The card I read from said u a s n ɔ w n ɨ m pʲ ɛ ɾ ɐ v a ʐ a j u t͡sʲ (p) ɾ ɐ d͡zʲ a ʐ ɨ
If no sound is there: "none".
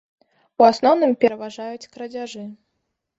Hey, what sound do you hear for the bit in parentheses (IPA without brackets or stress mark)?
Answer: k